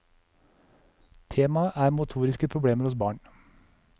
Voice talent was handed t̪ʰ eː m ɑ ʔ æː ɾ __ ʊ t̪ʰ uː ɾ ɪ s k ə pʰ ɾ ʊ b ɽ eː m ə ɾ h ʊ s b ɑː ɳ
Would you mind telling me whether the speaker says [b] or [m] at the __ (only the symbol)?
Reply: m